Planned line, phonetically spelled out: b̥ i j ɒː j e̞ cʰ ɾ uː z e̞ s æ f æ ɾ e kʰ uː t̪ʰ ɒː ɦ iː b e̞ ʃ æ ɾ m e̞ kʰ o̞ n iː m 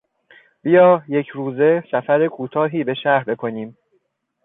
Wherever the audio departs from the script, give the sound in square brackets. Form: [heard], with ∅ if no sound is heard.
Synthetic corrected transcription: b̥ i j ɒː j e̞ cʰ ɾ uː z e̞ s æ f æ ɾ e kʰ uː t̪ʰ ɒː ɦ iː b e̞ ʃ æ ɾ [b] e̞ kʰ o̞ n iː m